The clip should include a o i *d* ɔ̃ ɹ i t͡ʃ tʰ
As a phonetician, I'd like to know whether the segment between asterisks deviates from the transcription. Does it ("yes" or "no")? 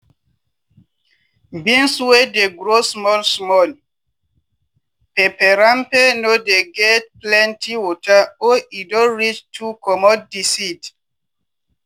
no